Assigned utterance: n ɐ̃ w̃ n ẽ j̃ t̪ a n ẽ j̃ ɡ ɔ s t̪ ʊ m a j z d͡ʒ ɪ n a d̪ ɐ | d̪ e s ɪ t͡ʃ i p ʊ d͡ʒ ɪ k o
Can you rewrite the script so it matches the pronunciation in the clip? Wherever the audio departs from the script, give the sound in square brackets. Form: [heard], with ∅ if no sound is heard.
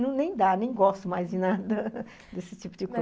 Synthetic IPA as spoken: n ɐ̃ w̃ n ẽ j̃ [d̪] a n ẽ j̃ ɡ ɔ s t̪ ʊ m a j z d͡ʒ ɪ n a d̪ ɐ | d̪ e s ɪ t͡ʃ i p ʊ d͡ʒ ɪ k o